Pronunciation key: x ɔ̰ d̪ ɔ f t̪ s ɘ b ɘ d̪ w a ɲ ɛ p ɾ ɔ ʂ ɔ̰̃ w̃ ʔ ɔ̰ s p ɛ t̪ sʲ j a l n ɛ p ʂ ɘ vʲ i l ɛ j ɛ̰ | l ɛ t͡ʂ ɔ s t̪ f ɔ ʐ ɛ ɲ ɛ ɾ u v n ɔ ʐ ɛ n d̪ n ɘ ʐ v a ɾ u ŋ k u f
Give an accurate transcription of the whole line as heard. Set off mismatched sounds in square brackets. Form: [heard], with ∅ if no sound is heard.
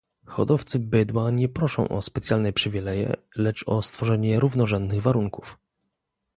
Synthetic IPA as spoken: x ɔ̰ d̪ ɔ f t̪ s ɘ b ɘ d̪ w a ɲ ɛ p ɾ ɔ ʂ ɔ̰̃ w̃ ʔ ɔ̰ s p ɛ t̪ sʲ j a l n ɛ p ʂ ɘ vʲ i l ɛ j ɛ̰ | l ɛ t͡ʂ ɔ s t̪ f ɔ ʐ ɛ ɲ ɛ ɾ u v n ɔ ʐ ɛ n d̪ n ɘ [ɣ] v a ɾ u ŋ k u f